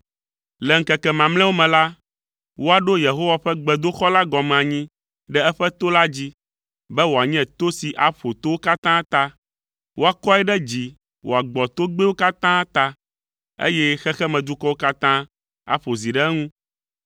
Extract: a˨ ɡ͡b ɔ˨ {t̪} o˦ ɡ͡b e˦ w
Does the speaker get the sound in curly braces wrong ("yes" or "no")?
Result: no